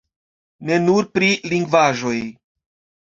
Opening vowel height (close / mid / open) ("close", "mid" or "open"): mid